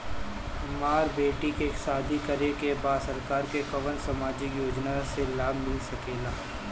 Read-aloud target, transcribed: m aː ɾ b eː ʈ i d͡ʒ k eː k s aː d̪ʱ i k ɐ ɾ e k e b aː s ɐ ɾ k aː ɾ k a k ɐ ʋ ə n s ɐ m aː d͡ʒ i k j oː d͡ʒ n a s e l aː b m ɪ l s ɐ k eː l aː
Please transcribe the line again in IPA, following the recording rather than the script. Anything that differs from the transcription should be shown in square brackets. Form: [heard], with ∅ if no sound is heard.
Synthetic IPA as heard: m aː ɾ b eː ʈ i [∅] k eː k s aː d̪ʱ i k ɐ ɾ e k e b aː s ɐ ɾ k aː ɾ k [e] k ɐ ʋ ə n s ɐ m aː d͡ʒ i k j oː d͡ʒ n a s e l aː b m ɪ l s ɐ k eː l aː

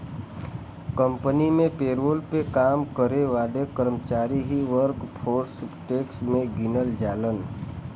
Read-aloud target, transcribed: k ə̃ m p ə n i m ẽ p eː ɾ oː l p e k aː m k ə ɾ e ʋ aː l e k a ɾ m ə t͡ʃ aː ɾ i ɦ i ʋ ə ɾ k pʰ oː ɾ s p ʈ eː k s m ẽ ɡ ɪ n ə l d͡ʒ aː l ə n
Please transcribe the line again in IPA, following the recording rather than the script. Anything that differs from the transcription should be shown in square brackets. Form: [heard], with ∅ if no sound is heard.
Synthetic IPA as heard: k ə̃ m p ə n i m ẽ p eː ɾ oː l p e k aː m k ə ɾ e ʋ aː l e k [ə] ɾ m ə t͡ʃ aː ɾ i ɦ i ʋ ə ɾ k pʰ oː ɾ s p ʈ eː k s m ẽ ɡ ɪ n ə l d͡ʒ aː l ə n

